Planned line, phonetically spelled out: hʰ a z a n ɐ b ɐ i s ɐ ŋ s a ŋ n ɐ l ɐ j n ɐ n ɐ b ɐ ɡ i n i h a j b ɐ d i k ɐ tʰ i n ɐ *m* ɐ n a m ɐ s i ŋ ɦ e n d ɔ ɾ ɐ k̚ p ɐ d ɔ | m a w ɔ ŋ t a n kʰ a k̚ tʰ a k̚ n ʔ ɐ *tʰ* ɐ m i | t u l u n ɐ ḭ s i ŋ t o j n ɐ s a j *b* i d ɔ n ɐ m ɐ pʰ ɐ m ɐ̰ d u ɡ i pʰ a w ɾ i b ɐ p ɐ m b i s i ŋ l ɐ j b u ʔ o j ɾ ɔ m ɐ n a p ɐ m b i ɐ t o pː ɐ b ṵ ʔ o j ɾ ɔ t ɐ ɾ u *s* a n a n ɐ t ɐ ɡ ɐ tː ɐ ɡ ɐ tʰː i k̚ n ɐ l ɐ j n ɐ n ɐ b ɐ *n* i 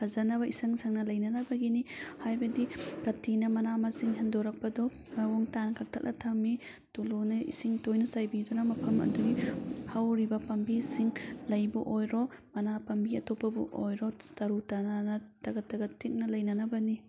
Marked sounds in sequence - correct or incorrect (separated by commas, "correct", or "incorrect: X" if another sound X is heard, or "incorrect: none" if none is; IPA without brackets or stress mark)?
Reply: correct, correct, correct, incorrect: t, correct